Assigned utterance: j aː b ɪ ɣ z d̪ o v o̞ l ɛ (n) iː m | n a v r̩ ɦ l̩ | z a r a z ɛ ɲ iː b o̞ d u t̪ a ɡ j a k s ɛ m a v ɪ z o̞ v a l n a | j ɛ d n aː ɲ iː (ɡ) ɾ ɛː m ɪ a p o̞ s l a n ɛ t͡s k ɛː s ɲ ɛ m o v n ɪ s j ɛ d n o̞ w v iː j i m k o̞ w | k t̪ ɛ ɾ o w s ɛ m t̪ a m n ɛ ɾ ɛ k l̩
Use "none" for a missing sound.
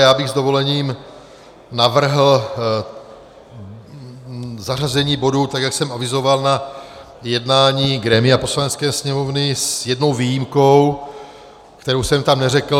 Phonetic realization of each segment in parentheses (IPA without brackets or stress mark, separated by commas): ɲ, ɡ